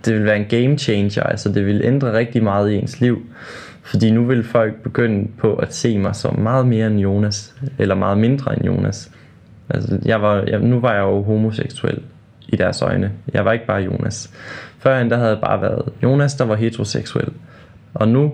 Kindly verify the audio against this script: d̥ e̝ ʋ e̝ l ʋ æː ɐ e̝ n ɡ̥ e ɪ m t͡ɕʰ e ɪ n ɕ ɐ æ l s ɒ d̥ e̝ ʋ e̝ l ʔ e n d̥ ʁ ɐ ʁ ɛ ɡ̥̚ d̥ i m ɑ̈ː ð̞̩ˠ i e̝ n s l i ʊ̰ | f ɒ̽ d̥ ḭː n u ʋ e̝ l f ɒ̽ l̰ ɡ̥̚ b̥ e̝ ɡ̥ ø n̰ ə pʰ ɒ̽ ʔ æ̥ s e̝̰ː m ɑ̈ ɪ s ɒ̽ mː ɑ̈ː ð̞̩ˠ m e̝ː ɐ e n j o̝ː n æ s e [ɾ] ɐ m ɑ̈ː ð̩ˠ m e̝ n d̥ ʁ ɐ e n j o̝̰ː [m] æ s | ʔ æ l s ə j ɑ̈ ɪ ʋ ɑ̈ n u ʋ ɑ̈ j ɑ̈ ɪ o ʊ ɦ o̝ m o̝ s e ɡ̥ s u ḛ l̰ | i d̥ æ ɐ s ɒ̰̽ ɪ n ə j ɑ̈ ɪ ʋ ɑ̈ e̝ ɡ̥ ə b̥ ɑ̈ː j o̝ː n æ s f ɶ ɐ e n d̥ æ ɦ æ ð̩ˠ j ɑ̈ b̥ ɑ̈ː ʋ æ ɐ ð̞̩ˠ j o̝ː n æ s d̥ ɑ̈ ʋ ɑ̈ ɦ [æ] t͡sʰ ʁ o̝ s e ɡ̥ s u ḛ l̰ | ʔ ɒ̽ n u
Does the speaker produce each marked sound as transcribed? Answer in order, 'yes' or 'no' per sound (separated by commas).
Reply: no, no, no